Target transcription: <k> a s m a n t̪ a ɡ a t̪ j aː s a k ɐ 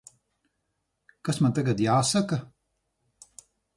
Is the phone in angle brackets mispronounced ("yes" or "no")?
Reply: no